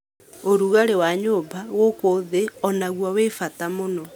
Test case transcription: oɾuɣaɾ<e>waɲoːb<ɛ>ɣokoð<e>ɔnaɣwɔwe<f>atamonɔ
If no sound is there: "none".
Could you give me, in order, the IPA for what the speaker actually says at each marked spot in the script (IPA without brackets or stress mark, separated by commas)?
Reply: e, a, e, f